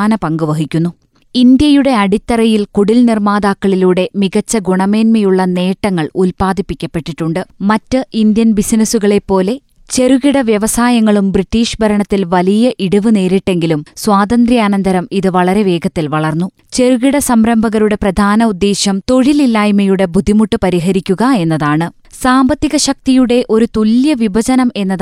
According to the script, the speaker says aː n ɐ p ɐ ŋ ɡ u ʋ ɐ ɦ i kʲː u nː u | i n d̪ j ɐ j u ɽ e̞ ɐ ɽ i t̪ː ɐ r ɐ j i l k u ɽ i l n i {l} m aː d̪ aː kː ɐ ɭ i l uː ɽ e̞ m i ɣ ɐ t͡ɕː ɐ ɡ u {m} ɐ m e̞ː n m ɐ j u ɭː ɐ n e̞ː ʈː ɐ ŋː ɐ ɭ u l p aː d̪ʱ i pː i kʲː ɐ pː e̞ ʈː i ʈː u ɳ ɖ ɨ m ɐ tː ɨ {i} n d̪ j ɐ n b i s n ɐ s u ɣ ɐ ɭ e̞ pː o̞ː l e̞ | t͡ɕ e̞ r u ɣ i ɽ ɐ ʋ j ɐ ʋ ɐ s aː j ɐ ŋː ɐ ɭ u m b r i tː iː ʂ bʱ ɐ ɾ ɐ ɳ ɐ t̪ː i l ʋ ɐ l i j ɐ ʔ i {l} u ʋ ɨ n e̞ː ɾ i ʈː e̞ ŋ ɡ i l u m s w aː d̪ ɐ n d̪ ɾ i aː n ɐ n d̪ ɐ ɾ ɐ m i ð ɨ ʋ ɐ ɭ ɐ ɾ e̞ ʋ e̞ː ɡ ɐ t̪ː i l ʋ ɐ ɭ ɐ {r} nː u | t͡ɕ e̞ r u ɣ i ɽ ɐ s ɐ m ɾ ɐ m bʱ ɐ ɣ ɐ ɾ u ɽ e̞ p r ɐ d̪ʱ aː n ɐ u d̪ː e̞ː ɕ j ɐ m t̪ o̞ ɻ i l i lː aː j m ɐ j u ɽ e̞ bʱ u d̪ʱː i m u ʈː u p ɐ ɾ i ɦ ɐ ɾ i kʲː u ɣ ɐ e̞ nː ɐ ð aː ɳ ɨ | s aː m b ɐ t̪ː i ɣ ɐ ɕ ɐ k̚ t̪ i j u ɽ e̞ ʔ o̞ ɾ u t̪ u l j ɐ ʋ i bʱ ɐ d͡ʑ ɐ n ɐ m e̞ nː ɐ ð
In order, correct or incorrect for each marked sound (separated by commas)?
incorrect, incorrect, correct, incorrect, correct